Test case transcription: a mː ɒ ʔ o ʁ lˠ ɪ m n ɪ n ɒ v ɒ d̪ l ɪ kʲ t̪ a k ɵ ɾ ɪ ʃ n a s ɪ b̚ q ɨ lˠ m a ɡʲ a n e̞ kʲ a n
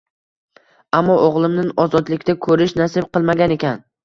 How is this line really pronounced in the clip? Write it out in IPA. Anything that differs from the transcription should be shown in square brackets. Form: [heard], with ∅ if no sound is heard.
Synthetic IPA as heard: a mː ɒ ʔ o ʁ lˠ ɪ m n ɪ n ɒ [z] ɒ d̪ l ɪ kʲ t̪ a [kʰ] ɵ ɾ ɪ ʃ n a s ɪ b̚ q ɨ lˠ m a ɡʲ a n e̞ kʲ a n